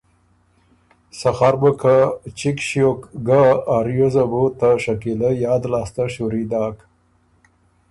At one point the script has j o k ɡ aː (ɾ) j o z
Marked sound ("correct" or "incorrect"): correct